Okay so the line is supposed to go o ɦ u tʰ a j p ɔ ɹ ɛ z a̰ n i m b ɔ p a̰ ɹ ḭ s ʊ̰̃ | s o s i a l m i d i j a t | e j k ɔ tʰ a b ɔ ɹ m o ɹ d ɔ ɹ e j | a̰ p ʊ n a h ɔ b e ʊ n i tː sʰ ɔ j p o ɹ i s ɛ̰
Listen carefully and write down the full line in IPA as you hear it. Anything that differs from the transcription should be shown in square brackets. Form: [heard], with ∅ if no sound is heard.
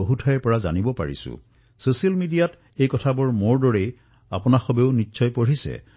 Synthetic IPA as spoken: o ɦ u tʰ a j p ɔ ɹ [a] z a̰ n i [∅] b ɔ p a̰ ɹ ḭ s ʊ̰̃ | s o s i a l m i d i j a t | e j k ɔ tʰ a b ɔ ɹ m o ɹ d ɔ ɹ e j | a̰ p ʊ n a [x] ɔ b e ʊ n i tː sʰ ɔ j p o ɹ i s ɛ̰